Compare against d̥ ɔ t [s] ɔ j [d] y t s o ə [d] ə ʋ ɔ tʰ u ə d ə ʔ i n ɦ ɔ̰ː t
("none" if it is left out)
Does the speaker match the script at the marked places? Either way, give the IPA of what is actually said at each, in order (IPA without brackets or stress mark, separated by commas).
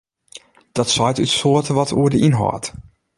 s, t, t